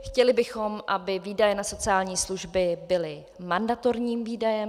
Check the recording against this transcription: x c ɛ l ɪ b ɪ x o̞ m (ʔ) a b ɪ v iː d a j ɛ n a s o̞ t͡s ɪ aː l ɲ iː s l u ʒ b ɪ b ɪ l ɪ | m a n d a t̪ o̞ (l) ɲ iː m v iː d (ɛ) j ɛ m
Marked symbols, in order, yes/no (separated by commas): yes, no, no